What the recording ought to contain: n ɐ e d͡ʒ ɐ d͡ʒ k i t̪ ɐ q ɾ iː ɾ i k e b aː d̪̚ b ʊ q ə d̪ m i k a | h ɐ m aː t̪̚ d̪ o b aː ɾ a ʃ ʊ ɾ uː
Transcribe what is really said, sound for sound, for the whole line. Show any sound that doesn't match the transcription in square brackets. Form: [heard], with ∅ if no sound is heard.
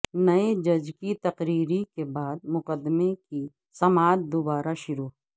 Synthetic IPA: n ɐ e d͡ʒ ɐ d͡ʒ k i t̪ ɐ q ɾ iː ɾ i k e b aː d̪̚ [m] ʊ q ə d̪ m [e] k [i] | [s] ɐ m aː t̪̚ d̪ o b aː ɾ a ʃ ʊ ɾ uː

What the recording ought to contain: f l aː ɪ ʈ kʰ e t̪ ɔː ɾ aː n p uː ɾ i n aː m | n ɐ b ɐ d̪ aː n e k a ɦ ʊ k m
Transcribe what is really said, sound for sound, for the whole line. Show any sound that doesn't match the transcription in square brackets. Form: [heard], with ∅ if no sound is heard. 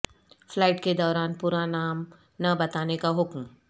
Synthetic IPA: f l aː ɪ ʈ [k] e [d̪] ɔː ɾ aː n p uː ɾ [a] n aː m | n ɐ b ɐ [t̪] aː n e k a ɦ ʊ k m

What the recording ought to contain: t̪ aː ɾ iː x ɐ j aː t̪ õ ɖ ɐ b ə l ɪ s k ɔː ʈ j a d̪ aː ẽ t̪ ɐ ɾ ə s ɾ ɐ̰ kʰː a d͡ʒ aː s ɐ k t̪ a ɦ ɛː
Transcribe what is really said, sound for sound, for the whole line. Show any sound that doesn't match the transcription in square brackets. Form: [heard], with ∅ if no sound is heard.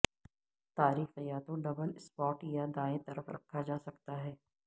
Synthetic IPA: t̪ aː ɾ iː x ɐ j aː t̪ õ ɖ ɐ b ə l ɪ s [p] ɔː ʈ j a d̪ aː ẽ t̪ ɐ ɾ ə [f] ɾ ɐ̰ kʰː a d͡ʒ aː s ɐ k t̪ a ɦ ɛː

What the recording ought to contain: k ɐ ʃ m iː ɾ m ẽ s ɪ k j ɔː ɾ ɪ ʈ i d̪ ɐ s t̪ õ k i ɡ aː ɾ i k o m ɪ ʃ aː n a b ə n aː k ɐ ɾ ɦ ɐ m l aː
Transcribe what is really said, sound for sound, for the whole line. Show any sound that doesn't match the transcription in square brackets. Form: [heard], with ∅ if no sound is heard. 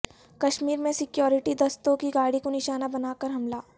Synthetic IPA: k ɐ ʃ m iː ɾ m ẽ s ɪ k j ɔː ɾ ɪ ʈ i d̪ ɐ s t̪ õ k i ɡ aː [ɽ] i k o [n] ɪ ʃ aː n a b [ɐ] n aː k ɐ ɾ ɦ ɐ m l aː

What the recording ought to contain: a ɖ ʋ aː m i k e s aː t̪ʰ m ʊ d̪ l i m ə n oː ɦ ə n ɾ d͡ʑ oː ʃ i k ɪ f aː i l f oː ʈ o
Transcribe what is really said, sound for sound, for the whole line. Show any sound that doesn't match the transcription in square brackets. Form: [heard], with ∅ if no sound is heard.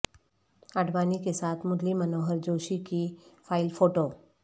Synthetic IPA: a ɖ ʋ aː [n] i k e s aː t̪ʰ m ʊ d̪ l i m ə n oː ɦ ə [∅] ɾ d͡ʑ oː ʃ i k [i] f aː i l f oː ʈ o

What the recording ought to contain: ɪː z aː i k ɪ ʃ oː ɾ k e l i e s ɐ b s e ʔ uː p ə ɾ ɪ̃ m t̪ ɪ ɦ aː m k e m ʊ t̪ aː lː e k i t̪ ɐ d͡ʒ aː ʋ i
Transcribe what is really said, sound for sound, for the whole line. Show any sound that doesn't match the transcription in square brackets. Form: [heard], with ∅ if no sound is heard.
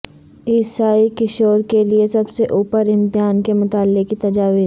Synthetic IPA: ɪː [s] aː i k ɪ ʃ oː ɾ k e l i e s ɐ b s e ʔ uː p ə ɾ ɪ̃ m t̪ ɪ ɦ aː [n] k e m ʊ t̪ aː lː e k i t̪ ɐ d͡ʒ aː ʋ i

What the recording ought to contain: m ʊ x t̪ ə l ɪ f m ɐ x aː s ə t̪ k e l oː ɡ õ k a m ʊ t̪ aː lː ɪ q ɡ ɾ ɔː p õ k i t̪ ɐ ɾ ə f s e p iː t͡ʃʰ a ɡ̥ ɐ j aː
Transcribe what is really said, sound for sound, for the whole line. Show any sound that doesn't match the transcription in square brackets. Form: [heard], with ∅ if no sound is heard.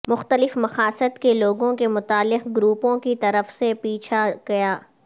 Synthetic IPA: m ʊ x t̪ ə l ɪ f m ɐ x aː s ə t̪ k e l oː ɡ õ k [e] m ʊ t̪ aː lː ɪ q ɡ ɾ [uː] p õ k i t̪ ɐ ɾ ə f s e p iː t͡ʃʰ a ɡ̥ ɐ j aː

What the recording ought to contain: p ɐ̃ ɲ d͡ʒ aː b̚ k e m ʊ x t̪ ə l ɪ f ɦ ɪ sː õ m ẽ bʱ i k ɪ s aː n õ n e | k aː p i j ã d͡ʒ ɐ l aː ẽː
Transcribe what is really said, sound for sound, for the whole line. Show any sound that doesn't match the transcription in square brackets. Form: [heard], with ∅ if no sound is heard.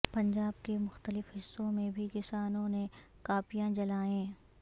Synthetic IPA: p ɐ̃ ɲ d͡ʒ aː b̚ k e m ʊ x t̪ ə l ɪ f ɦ ɪ sː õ m ẽ bʱ i k ɪ s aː n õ n e | k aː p i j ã d͡ʒ ɐ l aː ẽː

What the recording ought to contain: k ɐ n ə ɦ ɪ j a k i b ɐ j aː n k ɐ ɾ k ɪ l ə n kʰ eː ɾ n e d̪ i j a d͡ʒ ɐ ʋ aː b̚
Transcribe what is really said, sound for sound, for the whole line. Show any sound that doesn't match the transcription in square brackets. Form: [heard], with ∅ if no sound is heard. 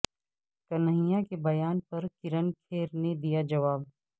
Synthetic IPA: k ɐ n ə ɦ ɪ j a k [e] b ɐ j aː n [p] ɐ ɾ k ɪ [ɾ] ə n kʰ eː ɾ n e d̪ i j a d͡ʒ ɐ ʋ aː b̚

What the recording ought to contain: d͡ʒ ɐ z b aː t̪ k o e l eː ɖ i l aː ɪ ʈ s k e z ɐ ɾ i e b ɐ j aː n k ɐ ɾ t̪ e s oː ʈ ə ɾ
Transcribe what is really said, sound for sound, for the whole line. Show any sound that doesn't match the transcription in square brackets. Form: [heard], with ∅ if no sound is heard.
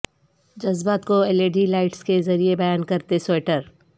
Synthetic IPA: d͡ʒ ɐ z b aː t̪ k o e l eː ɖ i l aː ɪ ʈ s k e z ɐ ɾ i e b ɐ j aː n k ɐ ɾ t̪ e s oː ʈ ə ɾ

